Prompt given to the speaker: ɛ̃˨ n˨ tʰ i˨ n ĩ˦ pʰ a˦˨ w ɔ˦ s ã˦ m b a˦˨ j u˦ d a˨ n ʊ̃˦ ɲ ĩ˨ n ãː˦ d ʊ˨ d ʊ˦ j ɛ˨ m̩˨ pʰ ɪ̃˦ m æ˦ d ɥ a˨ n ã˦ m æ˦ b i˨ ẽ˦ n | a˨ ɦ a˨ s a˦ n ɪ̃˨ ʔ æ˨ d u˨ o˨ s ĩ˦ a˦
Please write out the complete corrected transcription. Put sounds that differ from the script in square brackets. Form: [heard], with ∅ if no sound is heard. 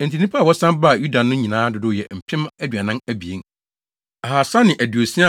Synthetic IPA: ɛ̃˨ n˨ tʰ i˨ n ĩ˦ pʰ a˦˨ w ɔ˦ s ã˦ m b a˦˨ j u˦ d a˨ n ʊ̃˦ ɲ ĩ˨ n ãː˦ d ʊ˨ d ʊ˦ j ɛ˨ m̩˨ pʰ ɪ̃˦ m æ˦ d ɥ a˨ n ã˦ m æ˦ b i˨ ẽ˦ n | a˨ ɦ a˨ s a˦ n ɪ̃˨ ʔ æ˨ d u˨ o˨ s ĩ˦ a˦